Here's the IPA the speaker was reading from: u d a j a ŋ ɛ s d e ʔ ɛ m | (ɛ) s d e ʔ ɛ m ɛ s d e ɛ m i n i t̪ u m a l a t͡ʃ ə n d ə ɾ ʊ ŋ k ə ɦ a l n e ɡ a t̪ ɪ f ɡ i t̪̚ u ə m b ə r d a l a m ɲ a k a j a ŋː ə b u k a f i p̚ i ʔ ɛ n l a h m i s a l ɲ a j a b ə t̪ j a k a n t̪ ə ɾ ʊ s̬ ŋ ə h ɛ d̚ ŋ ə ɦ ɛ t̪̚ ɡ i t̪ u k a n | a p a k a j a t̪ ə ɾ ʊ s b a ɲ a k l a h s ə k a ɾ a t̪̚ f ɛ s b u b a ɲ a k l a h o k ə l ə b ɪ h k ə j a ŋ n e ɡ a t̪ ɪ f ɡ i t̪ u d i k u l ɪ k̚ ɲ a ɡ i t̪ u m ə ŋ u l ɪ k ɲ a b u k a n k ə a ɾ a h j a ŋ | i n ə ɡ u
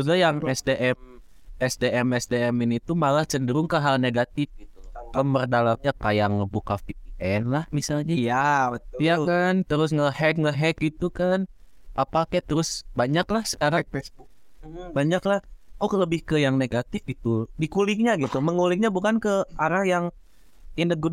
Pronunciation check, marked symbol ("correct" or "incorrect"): correct